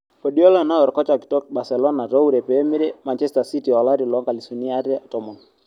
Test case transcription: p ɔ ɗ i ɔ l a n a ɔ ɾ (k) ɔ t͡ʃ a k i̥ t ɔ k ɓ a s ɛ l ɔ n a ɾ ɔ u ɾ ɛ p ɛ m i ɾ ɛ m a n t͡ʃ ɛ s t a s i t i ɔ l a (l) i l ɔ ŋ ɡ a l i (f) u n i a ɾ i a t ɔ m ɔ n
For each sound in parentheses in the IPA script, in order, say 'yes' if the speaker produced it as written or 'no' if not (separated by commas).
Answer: yes, no, no